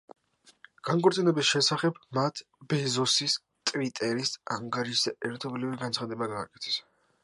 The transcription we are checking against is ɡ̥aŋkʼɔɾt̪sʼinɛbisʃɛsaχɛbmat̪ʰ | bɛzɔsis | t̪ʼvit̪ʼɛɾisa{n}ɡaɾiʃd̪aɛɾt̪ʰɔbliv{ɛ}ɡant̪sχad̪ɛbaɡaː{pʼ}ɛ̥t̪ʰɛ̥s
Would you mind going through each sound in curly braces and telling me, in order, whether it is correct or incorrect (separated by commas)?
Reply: incorrect, incorrect, incorrect